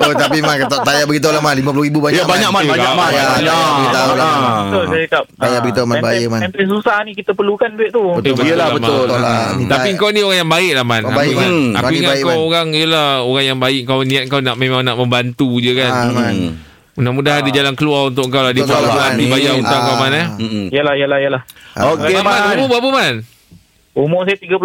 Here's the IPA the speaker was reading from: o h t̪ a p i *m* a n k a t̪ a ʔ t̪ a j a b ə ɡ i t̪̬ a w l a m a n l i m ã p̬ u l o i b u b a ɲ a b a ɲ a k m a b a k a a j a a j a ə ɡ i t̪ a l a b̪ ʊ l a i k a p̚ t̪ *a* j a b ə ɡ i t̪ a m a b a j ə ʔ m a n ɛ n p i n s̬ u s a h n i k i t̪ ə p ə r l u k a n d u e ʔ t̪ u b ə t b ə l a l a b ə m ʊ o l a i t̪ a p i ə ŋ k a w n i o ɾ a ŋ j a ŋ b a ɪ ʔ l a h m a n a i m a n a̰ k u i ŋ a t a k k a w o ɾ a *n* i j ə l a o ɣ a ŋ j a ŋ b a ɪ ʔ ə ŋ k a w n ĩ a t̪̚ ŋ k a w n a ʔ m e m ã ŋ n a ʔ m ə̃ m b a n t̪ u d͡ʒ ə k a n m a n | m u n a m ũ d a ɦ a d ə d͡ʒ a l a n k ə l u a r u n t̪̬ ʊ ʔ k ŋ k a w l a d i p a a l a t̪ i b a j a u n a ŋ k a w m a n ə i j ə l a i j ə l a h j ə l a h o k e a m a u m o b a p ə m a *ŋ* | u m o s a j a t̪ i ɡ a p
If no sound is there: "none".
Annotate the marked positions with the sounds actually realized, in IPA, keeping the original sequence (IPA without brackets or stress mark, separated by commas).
m, a, ŋ, n